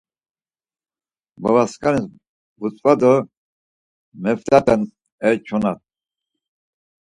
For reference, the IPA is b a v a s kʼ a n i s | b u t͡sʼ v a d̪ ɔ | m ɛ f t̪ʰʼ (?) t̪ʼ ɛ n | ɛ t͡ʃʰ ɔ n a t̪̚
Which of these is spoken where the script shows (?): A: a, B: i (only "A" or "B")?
A